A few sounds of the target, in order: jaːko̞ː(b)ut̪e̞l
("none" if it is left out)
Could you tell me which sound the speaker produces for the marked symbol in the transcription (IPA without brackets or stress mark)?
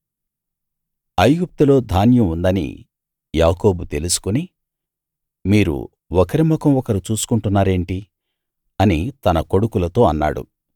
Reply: b